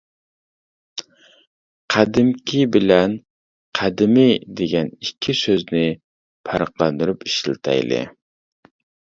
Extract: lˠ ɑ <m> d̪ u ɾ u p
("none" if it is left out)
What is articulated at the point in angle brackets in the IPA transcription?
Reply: n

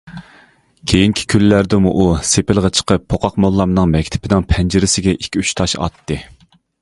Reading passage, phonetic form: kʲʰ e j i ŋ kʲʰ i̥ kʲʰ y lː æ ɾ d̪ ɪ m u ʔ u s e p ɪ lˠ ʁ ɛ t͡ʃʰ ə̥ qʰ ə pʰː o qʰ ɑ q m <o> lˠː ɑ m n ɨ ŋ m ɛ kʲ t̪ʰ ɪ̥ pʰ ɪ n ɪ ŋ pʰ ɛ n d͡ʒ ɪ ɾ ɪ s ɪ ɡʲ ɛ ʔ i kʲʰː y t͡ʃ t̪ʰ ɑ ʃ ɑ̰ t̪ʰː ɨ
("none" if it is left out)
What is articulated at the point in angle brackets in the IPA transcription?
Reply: o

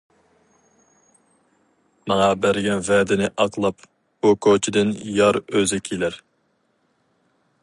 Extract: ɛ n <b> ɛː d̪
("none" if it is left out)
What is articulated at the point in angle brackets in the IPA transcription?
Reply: v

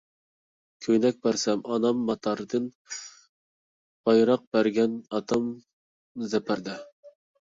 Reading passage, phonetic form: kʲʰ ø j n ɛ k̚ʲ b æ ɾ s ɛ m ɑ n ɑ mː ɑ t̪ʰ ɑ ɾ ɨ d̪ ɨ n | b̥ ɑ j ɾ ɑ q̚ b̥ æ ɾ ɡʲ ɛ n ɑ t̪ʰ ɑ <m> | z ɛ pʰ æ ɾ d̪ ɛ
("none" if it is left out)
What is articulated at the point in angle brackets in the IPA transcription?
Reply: m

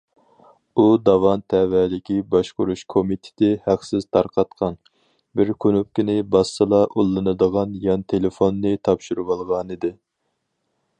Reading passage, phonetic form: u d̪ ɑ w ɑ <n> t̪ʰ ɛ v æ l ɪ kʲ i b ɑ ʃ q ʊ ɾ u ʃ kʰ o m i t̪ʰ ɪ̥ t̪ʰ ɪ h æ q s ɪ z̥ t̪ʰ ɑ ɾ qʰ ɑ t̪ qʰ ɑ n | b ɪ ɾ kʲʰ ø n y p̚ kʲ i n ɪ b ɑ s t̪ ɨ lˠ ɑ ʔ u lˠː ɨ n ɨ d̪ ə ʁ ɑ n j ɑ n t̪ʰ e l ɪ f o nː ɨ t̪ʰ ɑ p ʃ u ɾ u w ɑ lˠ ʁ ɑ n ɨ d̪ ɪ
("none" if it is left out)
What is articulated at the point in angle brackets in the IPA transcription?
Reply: n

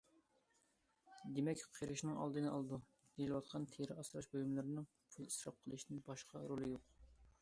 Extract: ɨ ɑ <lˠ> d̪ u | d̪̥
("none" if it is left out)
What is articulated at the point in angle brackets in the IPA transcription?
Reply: lˠ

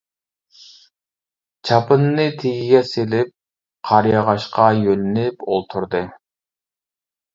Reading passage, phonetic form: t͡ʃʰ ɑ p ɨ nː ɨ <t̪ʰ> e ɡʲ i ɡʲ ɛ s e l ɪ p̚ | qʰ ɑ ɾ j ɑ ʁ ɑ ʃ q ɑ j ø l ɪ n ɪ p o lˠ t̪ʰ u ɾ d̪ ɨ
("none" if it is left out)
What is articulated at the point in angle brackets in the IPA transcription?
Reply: t̪ʰ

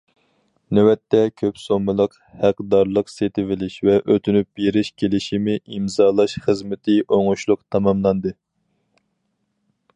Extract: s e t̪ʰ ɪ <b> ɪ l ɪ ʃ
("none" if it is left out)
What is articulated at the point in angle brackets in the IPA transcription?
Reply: v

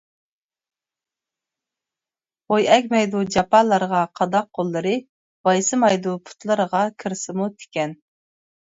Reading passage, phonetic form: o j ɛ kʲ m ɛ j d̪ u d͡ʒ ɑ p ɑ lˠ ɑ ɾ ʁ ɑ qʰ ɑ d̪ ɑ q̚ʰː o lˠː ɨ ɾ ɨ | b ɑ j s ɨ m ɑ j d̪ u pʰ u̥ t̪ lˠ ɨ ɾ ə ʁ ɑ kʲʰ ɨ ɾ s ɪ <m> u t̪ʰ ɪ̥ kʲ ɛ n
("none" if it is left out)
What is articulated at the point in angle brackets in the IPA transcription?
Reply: m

